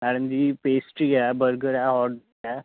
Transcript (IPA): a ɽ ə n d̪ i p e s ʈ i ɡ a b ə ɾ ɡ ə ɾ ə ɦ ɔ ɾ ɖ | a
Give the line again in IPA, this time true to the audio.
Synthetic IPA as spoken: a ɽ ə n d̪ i p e s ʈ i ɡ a b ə ɾ ɡ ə ɾ a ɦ ɔ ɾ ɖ | a